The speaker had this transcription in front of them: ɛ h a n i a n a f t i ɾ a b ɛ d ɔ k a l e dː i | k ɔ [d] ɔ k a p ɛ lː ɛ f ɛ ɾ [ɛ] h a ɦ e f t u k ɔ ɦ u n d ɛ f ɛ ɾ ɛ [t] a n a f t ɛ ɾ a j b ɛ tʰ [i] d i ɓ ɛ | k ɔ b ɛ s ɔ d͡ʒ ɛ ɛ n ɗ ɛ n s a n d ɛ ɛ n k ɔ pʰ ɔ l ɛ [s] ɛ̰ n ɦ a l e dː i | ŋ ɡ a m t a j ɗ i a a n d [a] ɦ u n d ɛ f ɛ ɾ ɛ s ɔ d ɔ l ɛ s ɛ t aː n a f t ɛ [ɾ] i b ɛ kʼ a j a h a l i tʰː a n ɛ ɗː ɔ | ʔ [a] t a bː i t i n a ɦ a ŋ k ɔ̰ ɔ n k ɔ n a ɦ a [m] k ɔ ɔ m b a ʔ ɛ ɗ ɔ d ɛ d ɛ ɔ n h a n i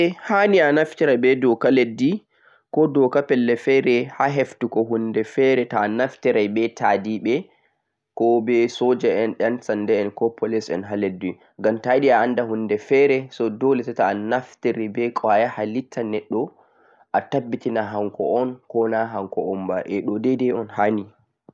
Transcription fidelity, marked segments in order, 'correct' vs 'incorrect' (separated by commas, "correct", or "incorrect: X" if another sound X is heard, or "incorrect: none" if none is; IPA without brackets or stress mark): correct, correct, correct, incorrect: a, correct, correct, correct, correct, incorrect: ŋ